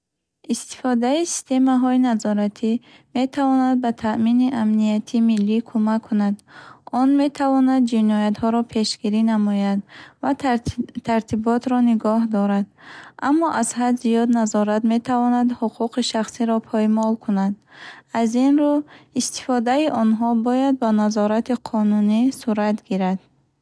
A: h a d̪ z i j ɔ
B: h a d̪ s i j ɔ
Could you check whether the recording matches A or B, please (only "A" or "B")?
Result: A